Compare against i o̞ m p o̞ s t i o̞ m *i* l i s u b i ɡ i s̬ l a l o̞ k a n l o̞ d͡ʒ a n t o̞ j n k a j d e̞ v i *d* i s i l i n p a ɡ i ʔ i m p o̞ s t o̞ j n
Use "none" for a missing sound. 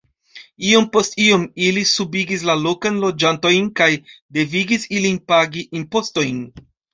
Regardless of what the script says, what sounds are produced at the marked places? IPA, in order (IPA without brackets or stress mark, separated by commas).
i, ɡ